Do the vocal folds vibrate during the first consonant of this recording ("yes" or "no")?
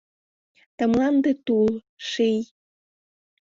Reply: no